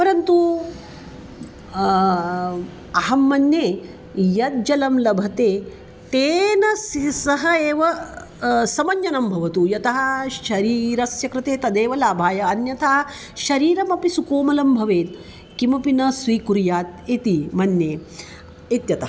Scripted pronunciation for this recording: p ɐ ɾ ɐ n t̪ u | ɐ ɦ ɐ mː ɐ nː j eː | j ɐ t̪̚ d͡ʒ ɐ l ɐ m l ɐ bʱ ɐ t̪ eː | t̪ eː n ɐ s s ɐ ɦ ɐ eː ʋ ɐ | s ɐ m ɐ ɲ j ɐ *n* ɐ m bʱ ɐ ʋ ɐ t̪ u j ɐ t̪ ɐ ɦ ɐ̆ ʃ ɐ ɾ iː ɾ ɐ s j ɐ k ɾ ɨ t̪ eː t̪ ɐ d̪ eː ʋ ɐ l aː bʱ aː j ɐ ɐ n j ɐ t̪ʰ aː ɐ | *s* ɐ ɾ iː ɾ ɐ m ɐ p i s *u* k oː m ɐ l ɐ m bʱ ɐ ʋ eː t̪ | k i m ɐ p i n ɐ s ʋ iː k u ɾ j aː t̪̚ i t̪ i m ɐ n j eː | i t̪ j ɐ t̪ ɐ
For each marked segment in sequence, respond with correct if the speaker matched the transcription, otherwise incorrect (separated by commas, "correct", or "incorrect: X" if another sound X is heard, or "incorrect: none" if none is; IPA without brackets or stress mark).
correct, incorrect: ʃ, correct